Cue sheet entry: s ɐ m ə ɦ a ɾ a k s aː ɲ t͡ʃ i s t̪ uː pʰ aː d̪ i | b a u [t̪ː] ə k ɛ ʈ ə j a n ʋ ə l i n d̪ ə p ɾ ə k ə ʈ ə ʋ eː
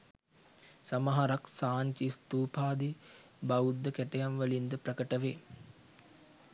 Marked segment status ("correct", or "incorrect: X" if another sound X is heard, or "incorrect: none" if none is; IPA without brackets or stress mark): incorrect: d̪ː